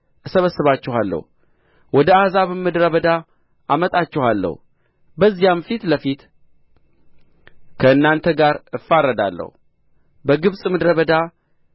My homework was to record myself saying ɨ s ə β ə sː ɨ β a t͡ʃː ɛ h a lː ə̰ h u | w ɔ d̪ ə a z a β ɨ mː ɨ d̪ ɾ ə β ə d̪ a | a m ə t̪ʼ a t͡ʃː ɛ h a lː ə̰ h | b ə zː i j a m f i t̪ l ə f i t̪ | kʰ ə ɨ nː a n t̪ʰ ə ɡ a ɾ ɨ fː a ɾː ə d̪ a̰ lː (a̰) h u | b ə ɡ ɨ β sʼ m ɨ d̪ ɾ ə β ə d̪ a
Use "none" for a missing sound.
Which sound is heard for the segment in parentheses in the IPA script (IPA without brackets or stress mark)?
ə̰